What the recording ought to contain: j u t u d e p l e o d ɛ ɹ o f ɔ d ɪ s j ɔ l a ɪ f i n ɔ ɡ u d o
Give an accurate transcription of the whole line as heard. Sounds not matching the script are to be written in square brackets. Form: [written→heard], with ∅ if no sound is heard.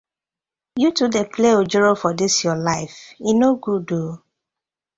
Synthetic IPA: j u t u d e p l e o [d→d͡ʒ] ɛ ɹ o f ɔ d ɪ s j ɔ l a ɪ f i n [ɔ→o] ɡ u d o

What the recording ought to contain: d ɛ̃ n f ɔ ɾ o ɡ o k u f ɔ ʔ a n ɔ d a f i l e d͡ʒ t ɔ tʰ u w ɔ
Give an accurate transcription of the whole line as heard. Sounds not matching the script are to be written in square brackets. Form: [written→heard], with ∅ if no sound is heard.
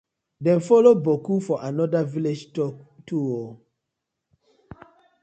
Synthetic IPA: d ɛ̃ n f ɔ [ɾ→l] o [ɡ→b] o k u f ɔ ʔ a n ɔ d a [f→v] i l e d͡ʒ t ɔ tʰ u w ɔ

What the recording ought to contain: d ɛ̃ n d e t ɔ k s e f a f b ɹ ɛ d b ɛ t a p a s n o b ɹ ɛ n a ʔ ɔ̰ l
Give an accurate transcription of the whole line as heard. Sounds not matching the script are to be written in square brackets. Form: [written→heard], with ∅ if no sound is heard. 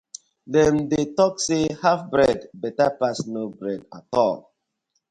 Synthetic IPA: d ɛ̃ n d e t ɔ k s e [f→h] a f b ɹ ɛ d b ɛ t a p a s n o b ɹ ɛ [n→d] a [ʔ→t] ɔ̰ l

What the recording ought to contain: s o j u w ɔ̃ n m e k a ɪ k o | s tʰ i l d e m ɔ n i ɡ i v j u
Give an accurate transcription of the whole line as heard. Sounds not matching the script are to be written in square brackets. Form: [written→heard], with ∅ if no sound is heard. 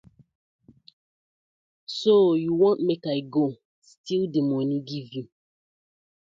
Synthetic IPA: s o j u w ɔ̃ n m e k a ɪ [k→ɡ] o | s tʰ i l d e m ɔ n i ɡ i v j u

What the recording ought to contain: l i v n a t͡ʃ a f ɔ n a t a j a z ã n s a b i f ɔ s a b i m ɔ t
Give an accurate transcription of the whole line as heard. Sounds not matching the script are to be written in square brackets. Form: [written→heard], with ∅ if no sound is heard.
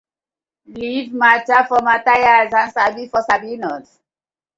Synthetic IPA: l i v [n→m] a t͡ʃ a f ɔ [n→m] a t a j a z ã n s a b i f ɔ s a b i [m→n] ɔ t

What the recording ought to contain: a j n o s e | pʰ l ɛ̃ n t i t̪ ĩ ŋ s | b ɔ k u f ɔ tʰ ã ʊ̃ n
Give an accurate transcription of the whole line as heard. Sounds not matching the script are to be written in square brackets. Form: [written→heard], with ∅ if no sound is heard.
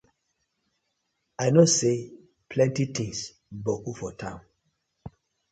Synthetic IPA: a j n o s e | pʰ l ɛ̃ n t i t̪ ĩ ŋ s | b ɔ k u f ɔ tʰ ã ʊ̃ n

